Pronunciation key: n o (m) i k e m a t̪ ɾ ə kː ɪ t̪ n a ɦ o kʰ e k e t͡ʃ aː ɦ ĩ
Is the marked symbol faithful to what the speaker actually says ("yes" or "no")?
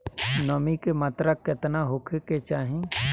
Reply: yes